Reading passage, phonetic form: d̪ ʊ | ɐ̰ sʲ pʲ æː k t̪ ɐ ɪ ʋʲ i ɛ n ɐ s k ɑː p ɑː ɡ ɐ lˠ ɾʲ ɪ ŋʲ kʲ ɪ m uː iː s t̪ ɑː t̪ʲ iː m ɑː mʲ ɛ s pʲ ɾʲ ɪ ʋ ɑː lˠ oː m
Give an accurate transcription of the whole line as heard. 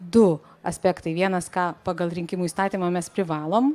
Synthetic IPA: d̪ ʊ | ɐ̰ sʲ pʲ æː k t̪ ɐ ɪ ʋʲ i ɛ n ɐ s k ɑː p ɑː ɡ ɐ lˠ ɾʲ ɪ ŋʲ kʲ ɪ m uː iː s t̪ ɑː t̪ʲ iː m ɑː mʲ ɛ s pʲ ɾʲ ɪ ʋ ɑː lˠ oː m

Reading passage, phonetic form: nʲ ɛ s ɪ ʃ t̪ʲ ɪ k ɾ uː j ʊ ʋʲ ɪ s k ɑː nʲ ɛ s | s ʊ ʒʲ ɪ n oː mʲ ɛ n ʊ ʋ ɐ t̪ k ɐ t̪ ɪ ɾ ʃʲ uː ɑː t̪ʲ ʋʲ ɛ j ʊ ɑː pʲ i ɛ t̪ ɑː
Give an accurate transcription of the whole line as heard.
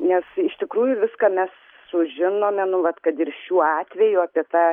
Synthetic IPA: nʲ ɛ s ɪ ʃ t̪ʲ ɪ k ɾ uː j ʊ ʋʲ ɪ s k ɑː mʲ ɛ s | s ʊ ʒʲ ɪ n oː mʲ ɛ n ʊ ʋ ɐ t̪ k ɐ t̪ ɪ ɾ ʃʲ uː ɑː t̪ʲ ʋʲ ɛ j ʊ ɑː pʲ i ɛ t̪ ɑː

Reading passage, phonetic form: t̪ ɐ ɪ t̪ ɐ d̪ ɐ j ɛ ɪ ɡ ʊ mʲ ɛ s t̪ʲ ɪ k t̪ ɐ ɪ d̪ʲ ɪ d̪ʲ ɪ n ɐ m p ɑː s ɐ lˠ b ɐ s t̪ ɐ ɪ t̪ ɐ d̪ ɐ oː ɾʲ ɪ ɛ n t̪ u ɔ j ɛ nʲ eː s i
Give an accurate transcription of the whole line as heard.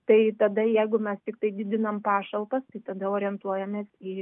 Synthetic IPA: t̪ ɐ ɪ t̪ ɐ d̪ ɐ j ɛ ɪ ɡ ʊ mʲ ɛ s t̪ʲ ɪ k t̪ ɐ ɪ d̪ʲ ɪ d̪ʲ ɪ n ɐ m p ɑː ʃ ɐ lˠ p ɐ s t̪ ɐ ɪ t̪ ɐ d̪ ɐ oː ɾʲ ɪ ɛ n t̪ u ɔ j ɛ mʲ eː s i

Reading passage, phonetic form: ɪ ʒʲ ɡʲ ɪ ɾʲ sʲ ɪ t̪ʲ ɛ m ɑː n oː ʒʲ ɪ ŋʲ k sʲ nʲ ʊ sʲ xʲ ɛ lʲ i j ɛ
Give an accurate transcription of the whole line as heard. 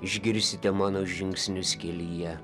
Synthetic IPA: ɪ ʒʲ ɡʲ ɪ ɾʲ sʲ ɪ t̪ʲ ɛ m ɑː n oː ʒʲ ɪ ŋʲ k sʲ nʲ ʊ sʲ kʲ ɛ lʲ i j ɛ

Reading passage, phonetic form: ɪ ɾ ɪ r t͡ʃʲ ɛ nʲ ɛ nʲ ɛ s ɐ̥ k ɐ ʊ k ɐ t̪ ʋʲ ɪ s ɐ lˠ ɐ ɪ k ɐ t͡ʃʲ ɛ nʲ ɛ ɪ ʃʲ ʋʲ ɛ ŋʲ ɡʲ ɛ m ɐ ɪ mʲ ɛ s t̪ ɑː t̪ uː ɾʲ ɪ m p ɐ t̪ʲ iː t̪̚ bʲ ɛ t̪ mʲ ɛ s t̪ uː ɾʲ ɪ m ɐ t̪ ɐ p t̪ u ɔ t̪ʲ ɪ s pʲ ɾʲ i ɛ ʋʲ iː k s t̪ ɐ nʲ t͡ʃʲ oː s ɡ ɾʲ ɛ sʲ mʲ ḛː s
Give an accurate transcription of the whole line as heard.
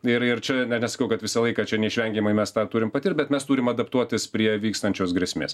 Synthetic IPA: ɪ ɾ ɪ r t͡ʃʲ ɛ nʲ ɛ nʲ ɛ s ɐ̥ k ɐ ʊ k ɐ t̪ ʋʲ ɪ s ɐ lˠ ɐ ɪ k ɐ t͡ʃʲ ɛ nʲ ɛ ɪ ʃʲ ʋʲ ɛ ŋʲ ɡʲ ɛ m ɐ ɪ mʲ ɛ s t̪ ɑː t̪ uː ɾʲ ɪ m p ɐ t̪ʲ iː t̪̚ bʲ ɛ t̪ mʲ ɛ s t̪ uː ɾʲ ɪ m ɐ d̪ ɐ p t̪ u ɔ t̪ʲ ɪ s pʲ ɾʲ i ɛ ʋʲ iː k s t̪ ɐ nʲ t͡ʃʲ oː s ɡ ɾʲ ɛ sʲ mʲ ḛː s

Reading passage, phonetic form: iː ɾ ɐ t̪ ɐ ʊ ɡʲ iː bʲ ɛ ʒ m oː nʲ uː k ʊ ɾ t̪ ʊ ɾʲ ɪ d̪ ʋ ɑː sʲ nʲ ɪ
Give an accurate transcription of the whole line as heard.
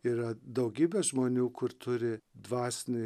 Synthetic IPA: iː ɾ ɐ d̪ ɐ ʊ ɡʲ iː bʲ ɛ ʒ m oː nʲ uː k ʊ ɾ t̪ ʊ ɾʲ ɪ d̪ ʋ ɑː sʲ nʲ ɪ

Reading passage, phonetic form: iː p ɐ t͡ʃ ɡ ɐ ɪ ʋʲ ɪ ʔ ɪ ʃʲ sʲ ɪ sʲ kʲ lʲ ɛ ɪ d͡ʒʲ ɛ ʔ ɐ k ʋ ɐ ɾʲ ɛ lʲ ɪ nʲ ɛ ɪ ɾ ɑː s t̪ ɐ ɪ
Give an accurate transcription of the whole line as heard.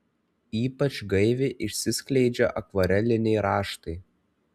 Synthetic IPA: iː p ɐ t͡ʃ ɡ ɐ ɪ ʋʲ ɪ ʔ ɪ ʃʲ sʲ ɪ sʲ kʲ lʲ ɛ ɪ d͡ʒʲ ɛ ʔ ɐ k ʋ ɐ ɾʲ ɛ lʲ ɪ nʲ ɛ ɪ ɾ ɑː ʃ t̪ ɐ ɪ

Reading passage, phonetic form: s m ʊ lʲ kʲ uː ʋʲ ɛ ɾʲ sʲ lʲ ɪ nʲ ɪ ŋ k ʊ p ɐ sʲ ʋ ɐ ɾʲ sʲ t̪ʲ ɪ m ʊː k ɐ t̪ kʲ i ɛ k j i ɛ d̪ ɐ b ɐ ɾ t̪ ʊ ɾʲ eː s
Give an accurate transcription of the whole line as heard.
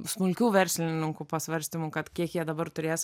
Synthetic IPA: s m ʊ lʲ kʲ uː ʋʲ ɛ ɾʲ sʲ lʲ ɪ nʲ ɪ ŋ k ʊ p ɐ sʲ ʋ ɐ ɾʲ sʲ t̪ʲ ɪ m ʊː k ɐ t̪ kʲ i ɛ k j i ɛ d̪ ɐ b ɐ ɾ t̪ ʊ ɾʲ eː s

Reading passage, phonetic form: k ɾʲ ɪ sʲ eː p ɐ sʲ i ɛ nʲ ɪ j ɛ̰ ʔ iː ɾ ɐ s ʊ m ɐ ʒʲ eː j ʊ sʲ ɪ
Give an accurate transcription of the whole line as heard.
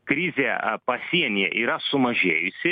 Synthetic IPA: k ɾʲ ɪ zʲ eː p ɐ sʲ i ɛ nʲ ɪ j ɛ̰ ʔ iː ɾ ɐ s ʊ m ɐ ʒʲ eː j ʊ sʲ ɪ

